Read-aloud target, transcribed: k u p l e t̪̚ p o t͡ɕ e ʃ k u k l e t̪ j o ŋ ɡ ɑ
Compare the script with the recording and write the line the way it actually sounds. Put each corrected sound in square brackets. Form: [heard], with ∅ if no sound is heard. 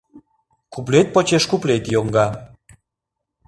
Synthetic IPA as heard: k u p l e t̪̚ p o t͡ɕ e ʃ k u [p] l e t̪ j o ŋ ɡ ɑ